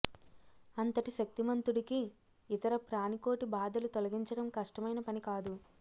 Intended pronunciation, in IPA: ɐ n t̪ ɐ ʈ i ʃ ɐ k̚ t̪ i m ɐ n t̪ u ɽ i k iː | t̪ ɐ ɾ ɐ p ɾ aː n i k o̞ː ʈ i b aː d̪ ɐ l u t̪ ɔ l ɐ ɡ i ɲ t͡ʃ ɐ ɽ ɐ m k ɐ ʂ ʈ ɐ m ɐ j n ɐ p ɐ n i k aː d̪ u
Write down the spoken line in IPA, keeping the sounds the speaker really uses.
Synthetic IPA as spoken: ɐ n t̪ ɐ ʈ i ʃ ɐ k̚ t̪ i m ɐ n t̪ u ɽ i k iː | t̪ ɐ ɾ ɐ p ɾ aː n i k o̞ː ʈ i b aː d̪ ɐ l u t̪ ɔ l ɐ ɡ i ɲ t͡ʃ ɐ ɽ ɐ m k ɐ ʂ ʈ ɐ m ɐ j n ɐ p ɐ n i k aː d̪ u